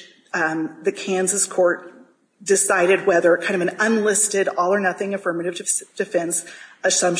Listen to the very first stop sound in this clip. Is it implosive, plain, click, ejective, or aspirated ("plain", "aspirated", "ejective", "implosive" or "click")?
aspirated